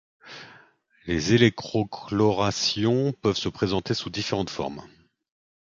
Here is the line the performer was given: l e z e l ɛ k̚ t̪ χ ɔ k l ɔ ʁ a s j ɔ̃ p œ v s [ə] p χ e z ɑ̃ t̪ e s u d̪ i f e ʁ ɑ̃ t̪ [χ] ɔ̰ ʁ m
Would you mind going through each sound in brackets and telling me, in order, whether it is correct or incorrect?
correct, incorrect: f

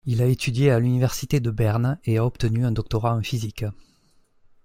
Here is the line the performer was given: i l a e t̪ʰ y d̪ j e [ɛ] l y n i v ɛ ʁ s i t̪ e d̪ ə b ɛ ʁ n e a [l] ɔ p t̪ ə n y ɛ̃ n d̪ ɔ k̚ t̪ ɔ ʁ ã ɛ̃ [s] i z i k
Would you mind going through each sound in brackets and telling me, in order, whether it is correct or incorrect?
incorrect: a, incorrect: none, incorrect: f

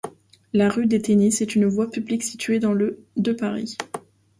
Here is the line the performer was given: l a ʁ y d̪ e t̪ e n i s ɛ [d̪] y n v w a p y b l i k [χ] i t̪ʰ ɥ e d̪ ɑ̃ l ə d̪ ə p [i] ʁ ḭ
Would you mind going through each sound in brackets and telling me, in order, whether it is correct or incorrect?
incorrect: t̪, incorrect: s, incorrect: a

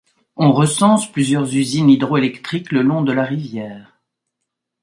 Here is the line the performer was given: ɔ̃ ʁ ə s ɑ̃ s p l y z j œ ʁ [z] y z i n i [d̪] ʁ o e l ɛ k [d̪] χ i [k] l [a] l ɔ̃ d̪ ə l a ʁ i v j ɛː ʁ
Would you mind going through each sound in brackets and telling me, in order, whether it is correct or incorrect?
correct, correct, incorrect: t̪, correct, incorrect: ə

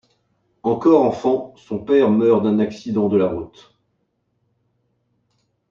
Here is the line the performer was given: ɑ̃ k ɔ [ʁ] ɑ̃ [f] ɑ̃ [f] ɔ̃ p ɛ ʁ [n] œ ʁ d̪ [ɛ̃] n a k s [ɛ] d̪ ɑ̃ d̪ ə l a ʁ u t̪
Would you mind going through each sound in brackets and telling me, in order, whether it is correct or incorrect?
correct, correct, incorrect: s, incorrect: m, correct, incorrect: i

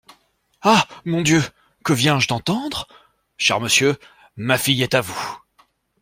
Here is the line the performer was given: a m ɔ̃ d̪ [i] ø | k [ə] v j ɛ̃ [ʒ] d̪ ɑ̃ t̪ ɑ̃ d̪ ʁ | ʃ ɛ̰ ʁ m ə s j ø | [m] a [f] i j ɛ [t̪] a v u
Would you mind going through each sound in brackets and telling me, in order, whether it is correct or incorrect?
incorrect: j, correct, correct, correct, correct, correct

